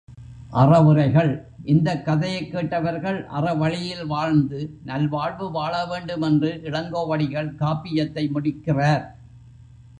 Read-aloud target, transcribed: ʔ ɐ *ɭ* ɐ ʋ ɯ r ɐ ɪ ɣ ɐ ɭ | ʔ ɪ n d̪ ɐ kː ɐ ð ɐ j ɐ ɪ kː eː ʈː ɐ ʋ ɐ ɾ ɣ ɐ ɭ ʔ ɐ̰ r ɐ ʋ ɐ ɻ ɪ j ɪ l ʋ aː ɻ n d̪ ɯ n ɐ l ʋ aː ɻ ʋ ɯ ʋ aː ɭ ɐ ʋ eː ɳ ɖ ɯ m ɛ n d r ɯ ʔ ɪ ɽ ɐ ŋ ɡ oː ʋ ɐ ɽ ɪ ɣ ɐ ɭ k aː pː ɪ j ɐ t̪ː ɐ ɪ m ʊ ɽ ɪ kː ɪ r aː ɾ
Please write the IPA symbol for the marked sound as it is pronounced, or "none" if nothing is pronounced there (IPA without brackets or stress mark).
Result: r